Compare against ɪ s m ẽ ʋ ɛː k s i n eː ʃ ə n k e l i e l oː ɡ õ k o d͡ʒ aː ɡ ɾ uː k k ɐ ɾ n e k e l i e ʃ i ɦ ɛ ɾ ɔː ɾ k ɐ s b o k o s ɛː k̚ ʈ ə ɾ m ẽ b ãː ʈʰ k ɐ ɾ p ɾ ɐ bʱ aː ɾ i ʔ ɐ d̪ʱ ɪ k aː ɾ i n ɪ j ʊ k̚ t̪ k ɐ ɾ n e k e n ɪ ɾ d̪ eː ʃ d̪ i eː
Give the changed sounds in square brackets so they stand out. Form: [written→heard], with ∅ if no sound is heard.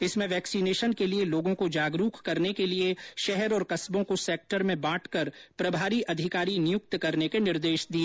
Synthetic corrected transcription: ɪ s m ẽ ʋ ɛː k s i n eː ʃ ə n k e l i e l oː ɡ õ k o d͡ʒ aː ɡ ɾ uː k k ɐ ɾ n e k e l i e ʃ [i→ɛ] ɦ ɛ ɾ ɔː ɾ k ɐ s b [o→õ] k o s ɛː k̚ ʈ ə ɾ m ẽ b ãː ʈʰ k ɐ ɾ p ɾ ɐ bʱ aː ɾ i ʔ ɐ d̪ʱ ɪ k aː ɾ i n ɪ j ʊ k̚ t̪ k ɐ ɾ n e k e n ɪ ɾ d̪ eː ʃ d̪ i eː